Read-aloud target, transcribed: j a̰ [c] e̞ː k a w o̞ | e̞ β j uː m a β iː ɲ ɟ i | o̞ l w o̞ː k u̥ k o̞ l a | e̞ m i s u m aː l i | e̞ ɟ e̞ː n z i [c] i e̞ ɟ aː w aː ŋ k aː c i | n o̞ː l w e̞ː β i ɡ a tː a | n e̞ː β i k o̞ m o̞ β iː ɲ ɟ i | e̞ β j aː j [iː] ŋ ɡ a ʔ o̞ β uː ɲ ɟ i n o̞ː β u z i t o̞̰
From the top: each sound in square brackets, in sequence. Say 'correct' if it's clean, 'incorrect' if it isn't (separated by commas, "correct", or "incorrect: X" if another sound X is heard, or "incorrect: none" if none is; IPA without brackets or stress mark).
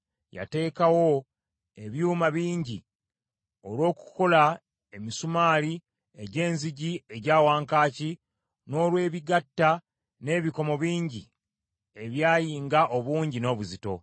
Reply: incorrect: t, incorrect: ɟ, correct